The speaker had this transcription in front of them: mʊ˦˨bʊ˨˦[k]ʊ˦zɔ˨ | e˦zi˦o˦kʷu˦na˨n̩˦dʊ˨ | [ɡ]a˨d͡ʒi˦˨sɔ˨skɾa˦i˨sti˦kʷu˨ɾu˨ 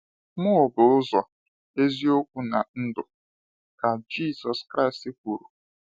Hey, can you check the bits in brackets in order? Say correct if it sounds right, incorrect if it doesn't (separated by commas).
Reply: incorrect, incorrect